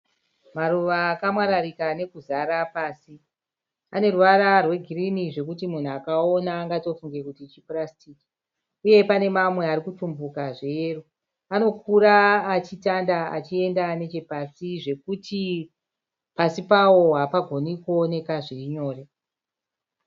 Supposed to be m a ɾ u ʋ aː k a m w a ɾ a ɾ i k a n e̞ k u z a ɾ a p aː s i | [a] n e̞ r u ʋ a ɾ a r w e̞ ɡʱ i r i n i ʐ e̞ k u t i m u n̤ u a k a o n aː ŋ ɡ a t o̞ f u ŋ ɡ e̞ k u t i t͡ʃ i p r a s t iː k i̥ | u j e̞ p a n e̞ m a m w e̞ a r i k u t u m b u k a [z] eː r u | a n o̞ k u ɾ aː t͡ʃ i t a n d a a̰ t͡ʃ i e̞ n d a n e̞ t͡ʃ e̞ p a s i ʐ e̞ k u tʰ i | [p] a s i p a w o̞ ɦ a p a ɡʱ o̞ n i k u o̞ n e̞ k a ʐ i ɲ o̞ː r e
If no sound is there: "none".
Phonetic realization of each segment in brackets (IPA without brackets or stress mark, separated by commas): a, ʐ, p